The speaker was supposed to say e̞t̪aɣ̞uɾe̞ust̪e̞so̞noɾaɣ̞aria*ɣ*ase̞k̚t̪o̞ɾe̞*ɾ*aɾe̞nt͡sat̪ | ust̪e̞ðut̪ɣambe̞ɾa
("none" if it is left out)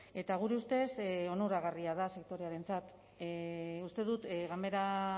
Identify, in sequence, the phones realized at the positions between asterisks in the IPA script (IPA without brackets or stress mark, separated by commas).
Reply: ð, none